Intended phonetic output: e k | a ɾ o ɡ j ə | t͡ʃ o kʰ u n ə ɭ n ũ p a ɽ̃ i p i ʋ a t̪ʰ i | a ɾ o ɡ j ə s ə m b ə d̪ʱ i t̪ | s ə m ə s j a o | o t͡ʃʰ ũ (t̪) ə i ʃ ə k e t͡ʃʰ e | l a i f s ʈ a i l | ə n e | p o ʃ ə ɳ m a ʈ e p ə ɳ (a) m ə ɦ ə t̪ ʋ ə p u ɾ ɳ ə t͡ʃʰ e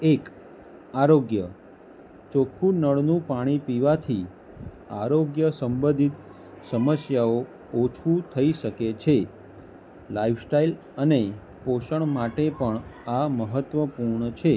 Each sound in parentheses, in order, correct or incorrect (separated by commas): incorrect, correct